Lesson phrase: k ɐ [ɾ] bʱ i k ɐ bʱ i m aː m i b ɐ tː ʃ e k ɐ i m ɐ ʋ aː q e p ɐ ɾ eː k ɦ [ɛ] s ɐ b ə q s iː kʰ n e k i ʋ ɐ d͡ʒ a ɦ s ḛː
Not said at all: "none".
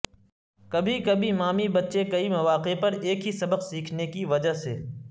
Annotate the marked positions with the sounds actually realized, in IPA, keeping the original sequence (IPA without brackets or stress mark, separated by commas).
none, i